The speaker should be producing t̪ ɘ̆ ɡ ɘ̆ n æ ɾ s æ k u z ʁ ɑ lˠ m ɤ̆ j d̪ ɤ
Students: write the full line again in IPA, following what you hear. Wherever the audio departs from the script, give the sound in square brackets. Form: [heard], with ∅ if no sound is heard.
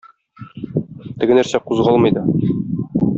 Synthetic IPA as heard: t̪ ɘ̆ ɡ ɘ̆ n æ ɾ s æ [q] u z ʁ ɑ lˠ m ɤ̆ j d̪ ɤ